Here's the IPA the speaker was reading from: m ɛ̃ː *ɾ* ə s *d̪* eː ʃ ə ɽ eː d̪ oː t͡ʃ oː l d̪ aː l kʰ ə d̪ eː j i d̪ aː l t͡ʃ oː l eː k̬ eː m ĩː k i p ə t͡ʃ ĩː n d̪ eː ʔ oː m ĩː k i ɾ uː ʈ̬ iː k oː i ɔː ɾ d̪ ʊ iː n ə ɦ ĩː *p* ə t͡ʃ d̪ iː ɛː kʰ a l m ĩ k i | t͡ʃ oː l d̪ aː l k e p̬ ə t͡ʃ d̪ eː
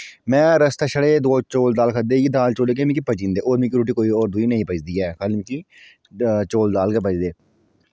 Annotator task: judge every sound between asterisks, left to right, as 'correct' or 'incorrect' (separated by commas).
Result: correct, incorrect, correct